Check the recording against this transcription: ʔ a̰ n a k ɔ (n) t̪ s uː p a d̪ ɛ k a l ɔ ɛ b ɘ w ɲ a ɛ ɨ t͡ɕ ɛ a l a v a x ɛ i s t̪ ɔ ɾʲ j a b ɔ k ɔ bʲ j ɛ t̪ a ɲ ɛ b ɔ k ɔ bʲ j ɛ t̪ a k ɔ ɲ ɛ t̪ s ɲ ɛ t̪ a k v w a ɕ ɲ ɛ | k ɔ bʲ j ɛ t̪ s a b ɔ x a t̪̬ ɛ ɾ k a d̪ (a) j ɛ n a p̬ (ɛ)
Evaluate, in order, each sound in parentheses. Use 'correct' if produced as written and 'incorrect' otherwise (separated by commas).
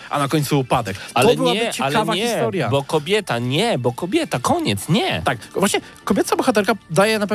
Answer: incorrect, correct, correct